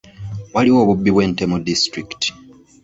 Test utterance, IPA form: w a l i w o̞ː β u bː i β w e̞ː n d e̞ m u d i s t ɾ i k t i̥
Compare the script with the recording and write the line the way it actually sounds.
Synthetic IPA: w a l i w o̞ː β u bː i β w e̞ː n t e̞ m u d i s t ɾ i k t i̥